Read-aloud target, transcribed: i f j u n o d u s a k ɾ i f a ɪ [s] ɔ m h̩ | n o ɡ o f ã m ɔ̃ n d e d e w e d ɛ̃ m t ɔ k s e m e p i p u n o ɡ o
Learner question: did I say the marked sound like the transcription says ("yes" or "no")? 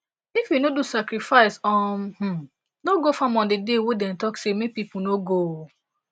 yes